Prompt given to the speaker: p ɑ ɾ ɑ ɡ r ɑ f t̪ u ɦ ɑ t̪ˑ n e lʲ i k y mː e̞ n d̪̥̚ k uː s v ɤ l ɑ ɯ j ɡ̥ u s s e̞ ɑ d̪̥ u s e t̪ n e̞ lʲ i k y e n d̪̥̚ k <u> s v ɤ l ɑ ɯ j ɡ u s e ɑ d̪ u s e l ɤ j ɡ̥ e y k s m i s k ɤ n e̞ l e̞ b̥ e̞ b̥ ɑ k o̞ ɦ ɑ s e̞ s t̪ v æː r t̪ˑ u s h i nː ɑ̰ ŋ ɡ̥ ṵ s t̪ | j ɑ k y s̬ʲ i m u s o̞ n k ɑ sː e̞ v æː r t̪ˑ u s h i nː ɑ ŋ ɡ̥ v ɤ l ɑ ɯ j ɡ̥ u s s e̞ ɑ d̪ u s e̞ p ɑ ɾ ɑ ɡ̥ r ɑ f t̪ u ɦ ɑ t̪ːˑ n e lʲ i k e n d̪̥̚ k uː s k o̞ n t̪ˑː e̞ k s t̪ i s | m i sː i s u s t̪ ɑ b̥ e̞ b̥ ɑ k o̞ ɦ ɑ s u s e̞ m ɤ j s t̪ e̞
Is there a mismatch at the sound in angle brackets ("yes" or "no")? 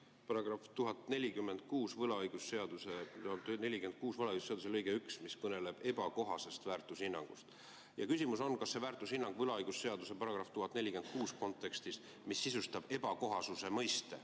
yes